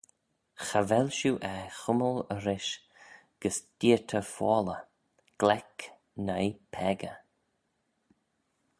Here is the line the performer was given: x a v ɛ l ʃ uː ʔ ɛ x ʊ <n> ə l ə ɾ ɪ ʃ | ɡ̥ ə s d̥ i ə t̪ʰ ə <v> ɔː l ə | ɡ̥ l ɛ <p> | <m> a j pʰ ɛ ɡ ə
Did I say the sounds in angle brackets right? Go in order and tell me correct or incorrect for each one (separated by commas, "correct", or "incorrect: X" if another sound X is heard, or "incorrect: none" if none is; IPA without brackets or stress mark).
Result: incorrect: m, incorrect: f, incorrect: k, incorrect: n